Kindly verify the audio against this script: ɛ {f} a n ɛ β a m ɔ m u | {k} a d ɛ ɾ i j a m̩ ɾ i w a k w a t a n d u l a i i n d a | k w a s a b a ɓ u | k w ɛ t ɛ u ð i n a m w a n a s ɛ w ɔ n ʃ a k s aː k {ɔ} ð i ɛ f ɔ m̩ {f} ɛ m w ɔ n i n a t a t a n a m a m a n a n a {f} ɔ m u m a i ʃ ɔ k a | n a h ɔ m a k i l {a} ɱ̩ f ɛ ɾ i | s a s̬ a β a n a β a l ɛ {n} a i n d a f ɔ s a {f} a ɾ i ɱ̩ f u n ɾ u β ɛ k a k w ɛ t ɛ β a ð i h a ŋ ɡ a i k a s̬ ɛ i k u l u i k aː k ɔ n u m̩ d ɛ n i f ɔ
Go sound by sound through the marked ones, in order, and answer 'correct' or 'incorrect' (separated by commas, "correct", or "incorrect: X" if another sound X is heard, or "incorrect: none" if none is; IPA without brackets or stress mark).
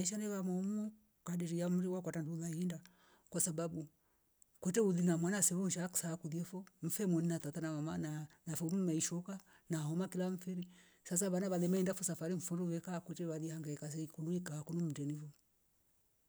incorrect: ʃ, correct, incorrect: u, correct, correct, correct, incorrect: m, correct